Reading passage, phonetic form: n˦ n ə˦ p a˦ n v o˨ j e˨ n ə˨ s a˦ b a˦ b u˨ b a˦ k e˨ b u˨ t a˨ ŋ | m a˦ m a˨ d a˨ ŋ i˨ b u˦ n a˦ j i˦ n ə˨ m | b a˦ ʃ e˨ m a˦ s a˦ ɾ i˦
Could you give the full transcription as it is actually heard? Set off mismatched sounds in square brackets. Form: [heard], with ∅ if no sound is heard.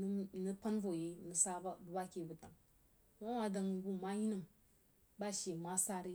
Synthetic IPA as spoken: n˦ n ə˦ p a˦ n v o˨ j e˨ n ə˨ s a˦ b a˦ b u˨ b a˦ k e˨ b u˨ t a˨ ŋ | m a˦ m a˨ d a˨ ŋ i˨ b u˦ [m] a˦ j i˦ n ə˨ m | b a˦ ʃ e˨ m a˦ s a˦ ɾ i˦